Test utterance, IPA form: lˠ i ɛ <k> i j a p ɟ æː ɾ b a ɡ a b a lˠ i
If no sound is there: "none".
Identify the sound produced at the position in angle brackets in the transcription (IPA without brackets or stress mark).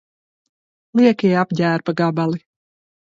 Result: k